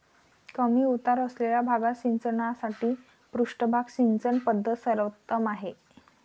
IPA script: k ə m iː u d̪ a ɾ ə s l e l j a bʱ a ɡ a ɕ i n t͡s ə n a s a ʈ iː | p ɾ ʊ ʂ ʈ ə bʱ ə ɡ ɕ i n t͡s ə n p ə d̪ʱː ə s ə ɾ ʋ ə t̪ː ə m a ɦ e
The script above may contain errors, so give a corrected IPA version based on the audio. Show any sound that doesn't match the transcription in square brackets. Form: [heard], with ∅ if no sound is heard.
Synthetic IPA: k ə m iː u [t̪] a ɾ ə s l e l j a bʱ a ɡ a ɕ i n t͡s ə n a s a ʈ iː | p ɾ [u] ʂ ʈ ə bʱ [a] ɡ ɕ i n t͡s ə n p ə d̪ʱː ə s ə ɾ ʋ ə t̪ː ə m a ɦ e